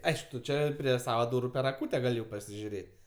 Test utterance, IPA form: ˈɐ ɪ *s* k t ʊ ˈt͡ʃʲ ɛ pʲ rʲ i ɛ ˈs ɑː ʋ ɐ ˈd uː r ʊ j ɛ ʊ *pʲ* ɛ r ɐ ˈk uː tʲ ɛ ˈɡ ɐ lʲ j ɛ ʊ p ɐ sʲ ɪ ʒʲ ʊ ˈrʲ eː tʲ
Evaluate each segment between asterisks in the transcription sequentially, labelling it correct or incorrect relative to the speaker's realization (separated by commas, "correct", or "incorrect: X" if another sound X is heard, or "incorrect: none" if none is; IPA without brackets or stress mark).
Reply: incorrect: ʃ, correct